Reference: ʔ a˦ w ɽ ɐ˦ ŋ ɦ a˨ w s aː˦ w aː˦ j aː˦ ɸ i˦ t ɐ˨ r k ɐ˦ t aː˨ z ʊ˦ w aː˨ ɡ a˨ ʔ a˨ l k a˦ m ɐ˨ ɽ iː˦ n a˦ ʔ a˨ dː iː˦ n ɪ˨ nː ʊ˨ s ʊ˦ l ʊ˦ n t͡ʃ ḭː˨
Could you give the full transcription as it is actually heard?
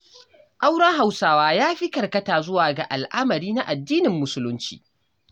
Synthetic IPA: ʔ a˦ w ɽ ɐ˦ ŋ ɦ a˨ w s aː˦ w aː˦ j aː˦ ɸ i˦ k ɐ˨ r k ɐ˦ t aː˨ z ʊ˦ w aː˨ ɡ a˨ ʔ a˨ l ʔ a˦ m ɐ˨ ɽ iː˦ n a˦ ʔ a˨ dː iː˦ n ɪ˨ mː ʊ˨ s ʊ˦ l ʊ˦ n t͡ʃ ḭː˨